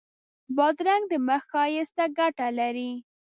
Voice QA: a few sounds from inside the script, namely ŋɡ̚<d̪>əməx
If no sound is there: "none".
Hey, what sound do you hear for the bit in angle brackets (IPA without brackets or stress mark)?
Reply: d̪